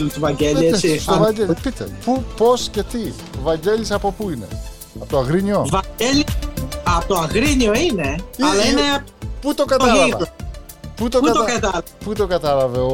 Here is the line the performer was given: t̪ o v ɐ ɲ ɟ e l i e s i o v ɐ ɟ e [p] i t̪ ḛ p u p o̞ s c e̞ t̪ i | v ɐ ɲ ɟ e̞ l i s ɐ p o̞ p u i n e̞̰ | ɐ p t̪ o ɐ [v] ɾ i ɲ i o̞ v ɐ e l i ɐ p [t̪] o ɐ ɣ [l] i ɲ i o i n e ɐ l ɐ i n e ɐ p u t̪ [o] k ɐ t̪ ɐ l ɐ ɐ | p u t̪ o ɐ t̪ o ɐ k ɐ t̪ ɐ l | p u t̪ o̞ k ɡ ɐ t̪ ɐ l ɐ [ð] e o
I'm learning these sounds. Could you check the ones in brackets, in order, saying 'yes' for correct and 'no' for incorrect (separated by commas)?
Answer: yes, no, yes, no, yes, no